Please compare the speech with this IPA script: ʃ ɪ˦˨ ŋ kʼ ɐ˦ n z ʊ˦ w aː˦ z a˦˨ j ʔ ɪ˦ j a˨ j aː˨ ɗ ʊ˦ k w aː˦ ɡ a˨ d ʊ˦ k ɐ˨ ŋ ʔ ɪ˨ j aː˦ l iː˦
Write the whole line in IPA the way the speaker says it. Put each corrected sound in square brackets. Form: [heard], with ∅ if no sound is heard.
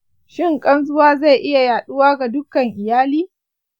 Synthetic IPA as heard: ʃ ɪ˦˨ ŋ kʼ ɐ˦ n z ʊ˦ w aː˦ z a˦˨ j ʔ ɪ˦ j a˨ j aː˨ ɗ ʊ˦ [∅] w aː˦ ɡ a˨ d ʊ˦ k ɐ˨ ŋ ʔ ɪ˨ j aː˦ l iː˦